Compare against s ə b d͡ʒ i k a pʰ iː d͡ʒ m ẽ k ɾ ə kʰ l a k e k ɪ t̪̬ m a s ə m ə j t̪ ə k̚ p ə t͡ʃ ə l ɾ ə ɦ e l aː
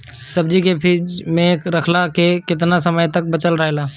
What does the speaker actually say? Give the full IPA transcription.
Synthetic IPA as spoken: s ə b d͡ʒ i k e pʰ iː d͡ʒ m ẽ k ɾ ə kʰ l a k e k ɪ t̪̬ n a s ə m ə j t̪ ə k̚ b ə t͡ʃ ə l ɾ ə ɦ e l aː